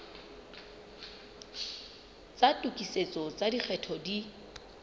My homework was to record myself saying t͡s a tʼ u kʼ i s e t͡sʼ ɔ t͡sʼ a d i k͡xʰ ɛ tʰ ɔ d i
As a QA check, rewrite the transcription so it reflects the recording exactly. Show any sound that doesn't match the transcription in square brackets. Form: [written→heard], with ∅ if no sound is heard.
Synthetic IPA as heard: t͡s a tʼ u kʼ i s e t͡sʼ ɔ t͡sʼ a d i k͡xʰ ɛ tʰ ɔ d i